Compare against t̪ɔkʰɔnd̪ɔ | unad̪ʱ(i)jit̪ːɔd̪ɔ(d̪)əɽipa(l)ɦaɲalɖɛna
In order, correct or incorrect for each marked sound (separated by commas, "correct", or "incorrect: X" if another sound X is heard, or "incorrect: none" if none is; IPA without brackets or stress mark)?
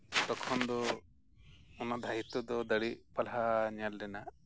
incorrect: a, correct, correct